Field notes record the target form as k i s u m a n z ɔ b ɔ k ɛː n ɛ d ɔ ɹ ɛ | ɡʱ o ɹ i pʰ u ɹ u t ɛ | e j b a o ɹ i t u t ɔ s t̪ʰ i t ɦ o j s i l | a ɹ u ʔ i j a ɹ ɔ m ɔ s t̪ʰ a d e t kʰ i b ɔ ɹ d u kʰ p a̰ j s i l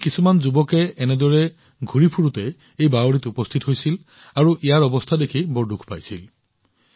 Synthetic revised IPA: k i s u m a n z u b ɔ k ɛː n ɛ d ɔ ɹ ɛ | ɡʱ u ɹ i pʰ u ɹ u t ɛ | e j b a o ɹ i t u p ɔ s t̪ʰ i t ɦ o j s i l | a ɹ u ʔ i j a ɹ ɔ b ɔ s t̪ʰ a d e kʰ i b ɔ ɹ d u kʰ p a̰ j s i l